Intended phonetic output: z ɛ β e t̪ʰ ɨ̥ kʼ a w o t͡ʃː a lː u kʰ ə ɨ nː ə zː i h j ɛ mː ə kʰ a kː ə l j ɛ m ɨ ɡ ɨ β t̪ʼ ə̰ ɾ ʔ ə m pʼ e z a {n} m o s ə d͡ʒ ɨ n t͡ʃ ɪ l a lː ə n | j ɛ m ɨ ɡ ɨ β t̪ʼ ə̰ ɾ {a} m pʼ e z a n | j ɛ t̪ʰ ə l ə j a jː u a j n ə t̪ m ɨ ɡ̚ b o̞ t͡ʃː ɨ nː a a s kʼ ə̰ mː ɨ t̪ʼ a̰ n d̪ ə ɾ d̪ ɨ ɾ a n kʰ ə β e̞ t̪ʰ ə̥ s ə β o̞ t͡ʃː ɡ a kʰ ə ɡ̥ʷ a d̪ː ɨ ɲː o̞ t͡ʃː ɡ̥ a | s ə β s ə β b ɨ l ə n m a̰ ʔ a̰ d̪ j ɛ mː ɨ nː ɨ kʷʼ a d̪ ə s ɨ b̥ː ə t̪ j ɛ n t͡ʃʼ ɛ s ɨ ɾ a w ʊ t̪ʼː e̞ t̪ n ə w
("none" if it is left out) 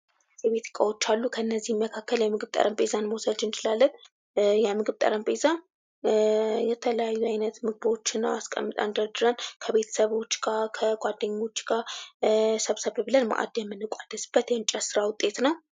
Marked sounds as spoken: n, ə

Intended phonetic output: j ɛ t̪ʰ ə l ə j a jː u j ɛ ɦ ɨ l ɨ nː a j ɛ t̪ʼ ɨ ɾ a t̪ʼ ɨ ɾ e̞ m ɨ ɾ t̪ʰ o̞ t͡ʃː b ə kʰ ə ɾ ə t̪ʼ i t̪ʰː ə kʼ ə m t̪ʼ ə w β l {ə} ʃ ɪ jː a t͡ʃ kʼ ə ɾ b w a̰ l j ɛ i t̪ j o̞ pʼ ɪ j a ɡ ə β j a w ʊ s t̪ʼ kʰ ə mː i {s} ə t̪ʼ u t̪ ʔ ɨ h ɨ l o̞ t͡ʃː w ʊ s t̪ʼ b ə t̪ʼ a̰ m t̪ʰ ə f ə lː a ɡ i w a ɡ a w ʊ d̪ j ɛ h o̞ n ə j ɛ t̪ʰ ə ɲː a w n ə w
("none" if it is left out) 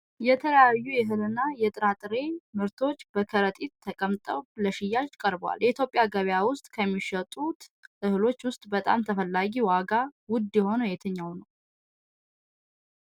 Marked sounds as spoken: ə, ʃ

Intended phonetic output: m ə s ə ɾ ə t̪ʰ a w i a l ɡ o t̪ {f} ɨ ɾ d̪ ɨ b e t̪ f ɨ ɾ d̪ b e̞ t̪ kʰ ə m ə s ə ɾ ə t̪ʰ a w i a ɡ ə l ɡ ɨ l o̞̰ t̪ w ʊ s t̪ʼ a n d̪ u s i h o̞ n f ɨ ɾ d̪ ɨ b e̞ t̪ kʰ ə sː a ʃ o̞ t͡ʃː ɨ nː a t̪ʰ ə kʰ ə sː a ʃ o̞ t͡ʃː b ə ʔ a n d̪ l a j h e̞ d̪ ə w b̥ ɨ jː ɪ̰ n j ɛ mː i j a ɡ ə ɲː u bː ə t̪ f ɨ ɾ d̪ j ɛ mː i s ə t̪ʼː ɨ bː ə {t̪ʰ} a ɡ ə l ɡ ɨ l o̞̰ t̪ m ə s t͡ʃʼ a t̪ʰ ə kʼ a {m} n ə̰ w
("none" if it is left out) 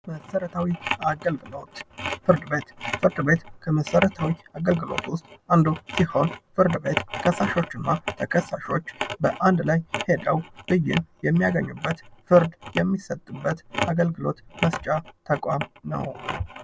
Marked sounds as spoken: f, t̪, m

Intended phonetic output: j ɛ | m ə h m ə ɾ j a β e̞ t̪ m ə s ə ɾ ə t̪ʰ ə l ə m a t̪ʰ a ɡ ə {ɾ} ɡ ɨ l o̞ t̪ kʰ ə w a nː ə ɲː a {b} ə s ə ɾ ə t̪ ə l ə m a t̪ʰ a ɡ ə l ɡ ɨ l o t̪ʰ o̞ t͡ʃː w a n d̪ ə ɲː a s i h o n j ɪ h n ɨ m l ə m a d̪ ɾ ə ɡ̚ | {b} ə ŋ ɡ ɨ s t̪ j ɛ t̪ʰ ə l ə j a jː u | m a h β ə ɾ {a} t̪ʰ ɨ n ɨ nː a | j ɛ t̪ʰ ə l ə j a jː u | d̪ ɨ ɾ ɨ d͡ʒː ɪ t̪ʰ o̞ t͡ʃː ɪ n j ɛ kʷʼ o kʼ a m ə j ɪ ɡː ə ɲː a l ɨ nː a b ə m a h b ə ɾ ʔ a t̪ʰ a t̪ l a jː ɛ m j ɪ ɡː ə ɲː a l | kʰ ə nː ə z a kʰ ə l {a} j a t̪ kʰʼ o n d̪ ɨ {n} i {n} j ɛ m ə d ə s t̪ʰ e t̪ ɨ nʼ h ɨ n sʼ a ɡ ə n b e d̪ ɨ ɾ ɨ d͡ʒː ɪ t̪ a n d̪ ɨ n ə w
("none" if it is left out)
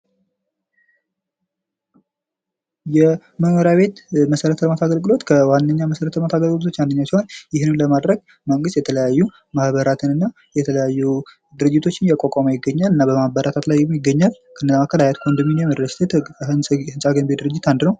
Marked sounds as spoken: l, m, m, a, a, m, n

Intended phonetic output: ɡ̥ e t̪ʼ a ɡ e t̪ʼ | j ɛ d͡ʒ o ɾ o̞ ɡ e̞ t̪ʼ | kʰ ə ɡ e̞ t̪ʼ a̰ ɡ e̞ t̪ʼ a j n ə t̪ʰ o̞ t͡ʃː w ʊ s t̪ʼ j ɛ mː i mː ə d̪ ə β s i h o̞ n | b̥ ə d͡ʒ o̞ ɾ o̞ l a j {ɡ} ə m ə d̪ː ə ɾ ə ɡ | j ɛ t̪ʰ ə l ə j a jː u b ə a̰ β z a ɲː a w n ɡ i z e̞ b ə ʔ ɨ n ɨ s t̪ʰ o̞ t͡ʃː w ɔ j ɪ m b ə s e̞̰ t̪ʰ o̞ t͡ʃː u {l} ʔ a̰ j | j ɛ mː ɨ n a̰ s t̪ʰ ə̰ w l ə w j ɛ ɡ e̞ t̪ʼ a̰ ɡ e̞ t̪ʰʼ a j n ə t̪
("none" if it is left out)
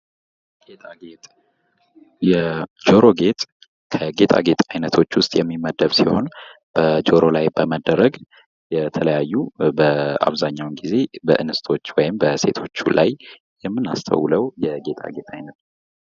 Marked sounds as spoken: b, l

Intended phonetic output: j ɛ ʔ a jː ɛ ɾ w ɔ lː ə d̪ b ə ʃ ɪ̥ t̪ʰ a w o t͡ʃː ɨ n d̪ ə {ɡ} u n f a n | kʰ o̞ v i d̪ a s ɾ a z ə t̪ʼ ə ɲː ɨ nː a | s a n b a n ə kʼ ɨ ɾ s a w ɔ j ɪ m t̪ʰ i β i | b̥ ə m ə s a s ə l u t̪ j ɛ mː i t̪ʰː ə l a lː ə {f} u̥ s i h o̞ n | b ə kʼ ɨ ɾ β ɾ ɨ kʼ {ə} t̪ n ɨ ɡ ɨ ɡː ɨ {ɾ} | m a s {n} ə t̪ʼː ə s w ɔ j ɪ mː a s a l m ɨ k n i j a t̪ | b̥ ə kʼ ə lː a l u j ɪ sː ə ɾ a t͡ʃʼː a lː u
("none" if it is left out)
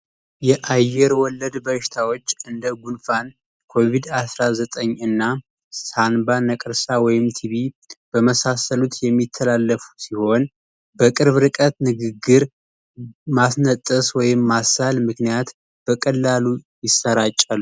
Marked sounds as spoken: ɡ, f, ə, ɾ, n

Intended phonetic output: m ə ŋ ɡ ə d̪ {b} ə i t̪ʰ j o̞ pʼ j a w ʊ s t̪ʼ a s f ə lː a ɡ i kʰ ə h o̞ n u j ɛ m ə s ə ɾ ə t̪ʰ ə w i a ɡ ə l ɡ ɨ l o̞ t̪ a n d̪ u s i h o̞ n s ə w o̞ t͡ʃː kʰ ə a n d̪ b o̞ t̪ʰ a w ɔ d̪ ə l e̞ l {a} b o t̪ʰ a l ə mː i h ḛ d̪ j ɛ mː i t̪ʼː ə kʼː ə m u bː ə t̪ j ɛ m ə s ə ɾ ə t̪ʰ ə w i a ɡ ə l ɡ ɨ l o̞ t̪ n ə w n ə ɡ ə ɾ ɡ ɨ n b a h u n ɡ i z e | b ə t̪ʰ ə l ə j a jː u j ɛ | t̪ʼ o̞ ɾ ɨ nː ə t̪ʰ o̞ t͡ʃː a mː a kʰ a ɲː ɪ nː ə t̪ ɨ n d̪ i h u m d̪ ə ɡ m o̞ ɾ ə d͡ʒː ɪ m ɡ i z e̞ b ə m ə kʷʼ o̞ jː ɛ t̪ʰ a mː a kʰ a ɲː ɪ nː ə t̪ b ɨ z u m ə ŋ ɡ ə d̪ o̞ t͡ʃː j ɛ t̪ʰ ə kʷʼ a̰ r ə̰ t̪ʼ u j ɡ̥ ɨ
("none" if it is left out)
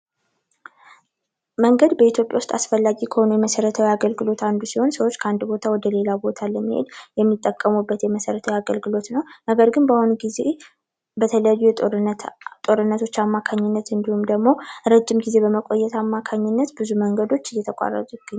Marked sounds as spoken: b, a

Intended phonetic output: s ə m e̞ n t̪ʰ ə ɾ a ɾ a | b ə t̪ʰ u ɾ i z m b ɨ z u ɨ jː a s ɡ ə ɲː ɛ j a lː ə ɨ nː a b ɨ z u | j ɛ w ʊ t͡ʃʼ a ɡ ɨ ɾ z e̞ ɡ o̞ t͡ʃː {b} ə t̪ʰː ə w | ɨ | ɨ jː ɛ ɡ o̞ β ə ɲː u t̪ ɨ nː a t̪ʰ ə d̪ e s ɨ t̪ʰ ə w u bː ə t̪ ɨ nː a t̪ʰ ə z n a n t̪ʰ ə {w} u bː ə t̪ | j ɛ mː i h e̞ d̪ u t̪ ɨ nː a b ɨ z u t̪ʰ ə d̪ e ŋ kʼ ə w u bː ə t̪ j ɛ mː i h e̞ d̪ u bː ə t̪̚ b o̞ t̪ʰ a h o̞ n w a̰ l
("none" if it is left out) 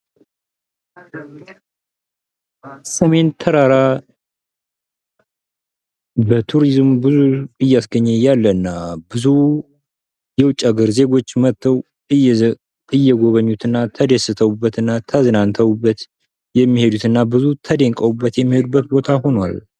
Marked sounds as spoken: m, w

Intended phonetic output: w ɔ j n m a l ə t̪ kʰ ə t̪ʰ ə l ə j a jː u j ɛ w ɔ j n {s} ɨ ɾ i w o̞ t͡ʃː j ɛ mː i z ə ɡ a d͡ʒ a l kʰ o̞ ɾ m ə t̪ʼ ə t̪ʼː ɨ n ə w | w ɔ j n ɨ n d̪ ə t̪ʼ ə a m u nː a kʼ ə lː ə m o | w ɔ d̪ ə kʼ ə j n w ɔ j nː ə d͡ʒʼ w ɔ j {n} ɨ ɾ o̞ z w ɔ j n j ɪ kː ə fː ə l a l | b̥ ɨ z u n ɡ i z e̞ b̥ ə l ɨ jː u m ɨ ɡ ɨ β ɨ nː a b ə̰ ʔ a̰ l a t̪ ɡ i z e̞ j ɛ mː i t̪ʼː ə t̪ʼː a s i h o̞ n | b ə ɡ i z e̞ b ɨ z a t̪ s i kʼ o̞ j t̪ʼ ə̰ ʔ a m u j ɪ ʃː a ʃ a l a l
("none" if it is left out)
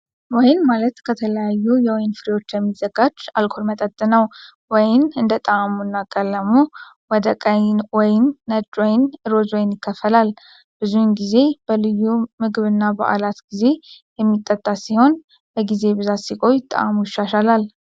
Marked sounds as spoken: f, n

